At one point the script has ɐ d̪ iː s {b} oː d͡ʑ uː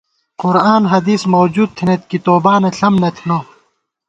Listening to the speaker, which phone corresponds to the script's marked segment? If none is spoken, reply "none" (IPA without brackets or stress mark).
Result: m